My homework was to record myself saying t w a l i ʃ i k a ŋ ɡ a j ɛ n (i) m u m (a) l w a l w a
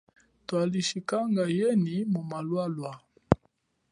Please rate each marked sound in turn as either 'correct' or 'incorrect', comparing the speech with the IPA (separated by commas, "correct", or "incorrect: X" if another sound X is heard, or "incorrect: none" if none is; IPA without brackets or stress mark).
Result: correct, correct